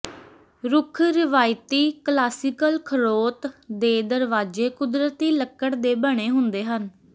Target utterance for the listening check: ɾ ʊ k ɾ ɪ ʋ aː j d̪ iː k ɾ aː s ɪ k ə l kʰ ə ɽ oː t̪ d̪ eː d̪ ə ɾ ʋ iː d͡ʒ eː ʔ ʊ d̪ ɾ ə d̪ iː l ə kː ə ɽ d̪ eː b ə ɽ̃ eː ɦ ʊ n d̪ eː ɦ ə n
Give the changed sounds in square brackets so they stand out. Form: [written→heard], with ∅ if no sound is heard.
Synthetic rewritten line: ɾ ʊ [k→kʰ] ɾ ɪ ʋ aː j [d̪→t̪] iː k [ɾ→l] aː s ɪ k ə l kʰ ə [ɽ→ɾ] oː t̪ d̪ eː d̪ ə ɾ ʋ [iː→aː] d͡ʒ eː [ʔ→k] ʊ d̪ ɾ ə [d̪→t̪] iː l ə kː ə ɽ d̪ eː b ə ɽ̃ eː ɦ ʊ n d̪ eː ɦ ə n

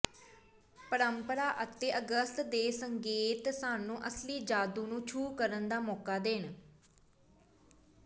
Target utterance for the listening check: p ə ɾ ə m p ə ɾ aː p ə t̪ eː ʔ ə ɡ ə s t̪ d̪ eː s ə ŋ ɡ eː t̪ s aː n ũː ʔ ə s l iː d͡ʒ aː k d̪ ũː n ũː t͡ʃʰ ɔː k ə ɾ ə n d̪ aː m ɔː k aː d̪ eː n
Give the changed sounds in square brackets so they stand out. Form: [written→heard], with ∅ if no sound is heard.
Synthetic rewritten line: p ə ɾ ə m p ə ɾ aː [p→ʔ] ə t̪ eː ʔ ə ɡ ə s t̪ d̪ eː s ə ŋ ɡ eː t̪ s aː n ũː ʔ ə s l iː d͡ʒ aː [k→∅] d̪ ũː n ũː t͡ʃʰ [ɔː→uː] k ə ɾ ə n d̪ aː m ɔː k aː d̪ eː n

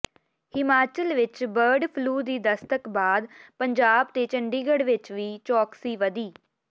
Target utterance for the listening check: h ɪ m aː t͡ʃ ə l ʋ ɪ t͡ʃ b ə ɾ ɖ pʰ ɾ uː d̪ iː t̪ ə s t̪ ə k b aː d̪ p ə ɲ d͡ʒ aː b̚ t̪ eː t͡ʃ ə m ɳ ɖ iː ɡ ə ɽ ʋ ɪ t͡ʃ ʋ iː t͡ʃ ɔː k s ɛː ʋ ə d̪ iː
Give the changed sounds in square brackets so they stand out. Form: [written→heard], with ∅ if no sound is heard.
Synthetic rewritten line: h ɪ m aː t͡ʃ ə l ʋ ɪ t͡ʃ b ə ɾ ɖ pʰ [ɾ→l] uː d̪ iː [t̪→d̪] ə s t̪ ə k b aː d̪ p ə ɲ d͡ʒ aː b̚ t̪ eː t͡ʃ ə [m→∅] ɳ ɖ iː ɡ ə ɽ ʋ ɪ t͡ʃ ʋ iː t͡ʃ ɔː k s [ɛː→iː] ʋ ə d̪ iː

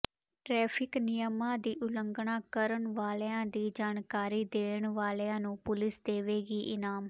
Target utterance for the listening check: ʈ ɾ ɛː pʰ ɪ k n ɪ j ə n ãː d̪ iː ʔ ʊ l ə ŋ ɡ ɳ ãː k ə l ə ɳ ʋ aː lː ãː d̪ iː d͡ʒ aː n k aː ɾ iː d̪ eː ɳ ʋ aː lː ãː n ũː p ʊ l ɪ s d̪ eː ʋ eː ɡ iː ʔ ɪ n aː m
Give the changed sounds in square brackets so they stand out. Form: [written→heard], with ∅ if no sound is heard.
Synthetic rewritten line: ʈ ɾ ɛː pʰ ɪ k n ɪ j ə [n→m] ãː d̪ iː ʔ ʊ l ə ŋ ɡ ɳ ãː k ə [l→ɾ] ə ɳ ʋ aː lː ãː d̪ iː d͡ʒ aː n k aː ɾ iː d̪ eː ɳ ʋ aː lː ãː n ũː p ʊ l ɪ s d̪ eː ʋ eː ɡ iː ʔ ɪ n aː m

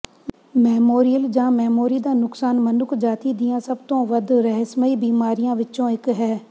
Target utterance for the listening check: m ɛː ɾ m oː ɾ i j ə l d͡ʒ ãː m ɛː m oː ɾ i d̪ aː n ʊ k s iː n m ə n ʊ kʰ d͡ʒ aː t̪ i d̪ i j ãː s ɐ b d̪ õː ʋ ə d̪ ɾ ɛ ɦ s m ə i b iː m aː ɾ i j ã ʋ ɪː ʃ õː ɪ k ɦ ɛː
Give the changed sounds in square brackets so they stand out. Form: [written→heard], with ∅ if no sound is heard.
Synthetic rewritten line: m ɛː [ɾ→∅] m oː ɾ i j ə l d͡ʒ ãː m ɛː m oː ɾ i d̪ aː n ʊ k s [iː→aː] n m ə n ʊ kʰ d͡ʒ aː t̪ i d̪ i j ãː s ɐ b [d̪→t̪] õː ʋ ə d̪ ɾ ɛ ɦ s m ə i b iː m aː ɾ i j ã ʋ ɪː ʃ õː ɪ k ɦ ɛː

